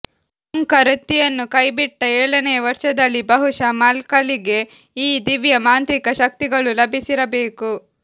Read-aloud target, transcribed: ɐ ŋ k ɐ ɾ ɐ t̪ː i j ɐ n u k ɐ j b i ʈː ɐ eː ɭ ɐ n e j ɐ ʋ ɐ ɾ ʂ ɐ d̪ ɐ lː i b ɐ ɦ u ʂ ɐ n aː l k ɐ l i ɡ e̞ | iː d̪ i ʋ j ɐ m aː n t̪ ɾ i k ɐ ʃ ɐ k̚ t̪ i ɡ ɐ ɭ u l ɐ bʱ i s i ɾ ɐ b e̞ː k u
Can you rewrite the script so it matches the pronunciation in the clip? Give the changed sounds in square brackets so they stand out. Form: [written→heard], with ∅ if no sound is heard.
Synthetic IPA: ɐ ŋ k ɐ ɾ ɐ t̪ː i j ɐ [n→nː] u k ɐ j b i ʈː ɐ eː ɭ ɐ n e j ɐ ʋ ɐ ɾ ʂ ɐ d̪ ɐ lː i b ɐ ɦ u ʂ ɐ [n→m] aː l k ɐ l i ɡ e̞ | iː d̪ i ʋ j ɐ m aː n t̪ ɾ i k ɐ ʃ ɐ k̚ t̪ i ɡ ɐ ɭ u l ɐ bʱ i s i ɾ ɐ b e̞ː k u